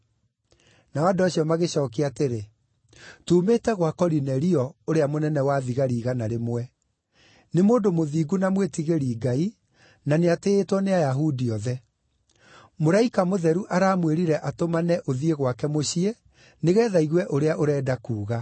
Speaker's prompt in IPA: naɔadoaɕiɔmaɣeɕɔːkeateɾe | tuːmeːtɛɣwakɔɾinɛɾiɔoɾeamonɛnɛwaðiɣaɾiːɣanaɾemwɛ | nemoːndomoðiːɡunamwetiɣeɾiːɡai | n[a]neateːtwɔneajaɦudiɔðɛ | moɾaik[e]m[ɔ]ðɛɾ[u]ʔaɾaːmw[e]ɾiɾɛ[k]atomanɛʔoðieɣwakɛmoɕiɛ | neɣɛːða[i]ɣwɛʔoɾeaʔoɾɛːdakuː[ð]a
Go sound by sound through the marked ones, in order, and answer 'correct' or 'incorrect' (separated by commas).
correct, incorrect, incorrect, correct, correct, incorrect, correct, incorrect